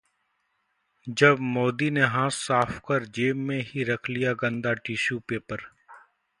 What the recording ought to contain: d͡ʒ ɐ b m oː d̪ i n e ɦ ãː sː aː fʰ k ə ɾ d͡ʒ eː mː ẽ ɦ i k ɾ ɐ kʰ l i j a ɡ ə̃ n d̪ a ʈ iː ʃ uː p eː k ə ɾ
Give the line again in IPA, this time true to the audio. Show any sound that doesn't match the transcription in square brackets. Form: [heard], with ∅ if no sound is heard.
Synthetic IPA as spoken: d͡ʒ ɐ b m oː d̪ i n e ɦ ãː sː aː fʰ k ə ɾ d͡ʒ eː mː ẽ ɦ i [∅] ɾ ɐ kʰ l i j a ɡ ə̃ n d̪ a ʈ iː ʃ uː p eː [p] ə ɾ

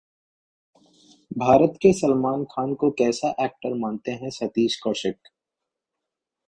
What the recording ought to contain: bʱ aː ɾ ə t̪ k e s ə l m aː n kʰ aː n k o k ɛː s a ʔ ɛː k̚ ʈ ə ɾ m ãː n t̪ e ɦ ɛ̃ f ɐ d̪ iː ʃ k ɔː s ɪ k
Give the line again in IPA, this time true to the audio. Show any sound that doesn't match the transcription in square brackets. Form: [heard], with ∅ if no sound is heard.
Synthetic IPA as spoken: bʱ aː ɾ ə t̪ k e s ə l m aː n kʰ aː n k o k ɛː s a ʔ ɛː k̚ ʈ ə ɾ m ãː n t̪ e ɦ ɛ̃ [s] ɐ [t̪] iː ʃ k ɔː [ʃ] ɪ k

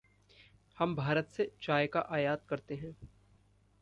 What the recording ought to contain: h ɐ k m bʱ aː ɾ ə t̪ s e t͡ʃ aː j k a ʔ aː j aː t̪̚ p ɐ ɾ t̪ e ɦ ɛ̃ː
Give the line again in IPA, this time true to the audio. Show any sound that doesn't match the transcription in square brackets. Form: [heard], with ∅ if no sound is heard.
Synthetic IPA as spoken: h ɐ [∅] m bʱ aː ɾ ə t̪ s e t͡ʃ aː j k a ʔ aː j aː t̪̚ [k] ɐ ɾ t̪ e ɦ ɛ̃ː

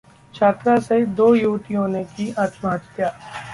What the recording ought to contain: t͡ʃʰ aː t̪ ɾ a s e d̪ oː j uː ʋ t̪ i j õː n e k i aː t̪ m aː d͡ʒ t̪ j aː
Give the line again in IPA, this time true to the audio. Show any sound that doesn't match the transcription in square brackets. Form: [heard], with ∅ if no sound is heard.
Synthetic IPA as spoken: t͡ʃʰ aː t̪ ɾ a s e d̪ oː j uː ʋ t̪ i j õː n e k i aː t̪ m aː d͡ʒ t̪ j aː

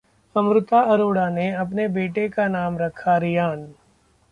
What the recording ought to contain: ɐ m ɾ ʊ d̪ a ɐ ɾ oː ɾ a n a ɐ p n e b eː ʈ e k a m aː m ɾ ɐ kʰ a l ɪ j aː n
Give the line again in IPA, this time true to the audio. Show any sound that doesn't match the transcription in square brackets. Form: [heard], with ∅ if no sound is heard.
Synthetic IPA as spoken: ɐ m ɾ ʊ [t̪] a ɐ ɾ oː [ɽ] a n [e] ɐ p n e b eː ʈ e k a [n] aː m ɾ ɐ kʰ a [ɾ] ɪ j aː n

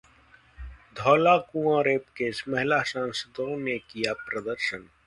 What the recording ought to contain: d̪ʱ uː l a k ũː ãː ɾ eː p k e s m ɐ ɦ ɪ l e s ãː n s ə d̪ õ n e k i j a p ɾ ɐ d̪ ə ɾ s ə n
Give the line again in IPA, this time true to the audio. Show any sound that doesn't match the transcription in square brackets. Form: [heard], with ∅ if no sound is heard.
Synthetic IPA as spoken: d̪ʱ [ɔː] l a k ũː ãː ɾ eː p k e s m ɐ ɦ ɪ l [a] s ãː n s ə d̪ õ n e k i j a p ɾ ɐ d̪ ə ɾ [ʃ] ə n

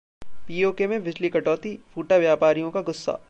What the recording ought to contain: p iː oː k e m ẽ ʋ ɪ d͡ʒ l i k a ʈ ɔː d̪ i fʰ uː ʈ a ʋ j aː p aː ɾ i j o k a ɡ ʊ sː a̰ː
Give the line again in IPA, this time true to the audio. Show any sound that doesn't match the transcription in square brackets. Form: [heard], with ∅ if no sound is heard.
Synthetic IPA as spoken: p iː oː k e m ẽ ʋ ɪ d͡ʒ l i k [ɐ] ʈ ɔː [t̪] i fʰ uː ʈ a ʋ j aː p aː ɾ i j [õ] k a ɡ ʊ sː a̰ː

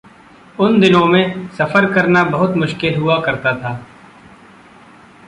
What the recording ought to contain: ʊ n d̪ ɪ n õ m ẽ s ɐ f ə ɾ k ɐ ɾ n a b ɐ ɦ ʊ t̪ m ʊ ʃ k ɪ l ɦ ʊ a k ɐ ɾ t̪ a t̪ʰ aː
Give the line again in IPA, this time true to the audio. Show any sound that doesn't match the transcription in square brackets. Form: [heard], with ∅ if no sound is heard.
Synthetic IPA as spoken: ʊ n d̪ ɪ n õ m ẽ s ɐ f ə ɾ k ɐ ɾ n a b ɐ ɦ ʊ t̪ m ʊ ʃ k ɪ l ɦ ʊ a k ɐ ɾ t̪ a t̪ʰ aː

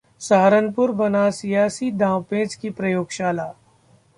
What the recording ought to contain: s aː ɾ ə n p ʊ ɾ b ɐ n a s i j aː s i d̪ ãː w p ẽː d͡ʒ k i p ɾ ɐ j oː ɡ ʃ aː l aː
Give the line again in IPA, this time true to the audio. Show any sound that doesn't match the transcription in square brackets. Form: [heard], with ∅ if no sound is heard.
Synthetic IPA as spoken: s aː ɾ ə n p ʊ ɾ b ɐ n a s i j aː s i d̪ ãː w p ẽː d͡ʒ k i p ɾ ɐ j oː ɡ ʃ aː l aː

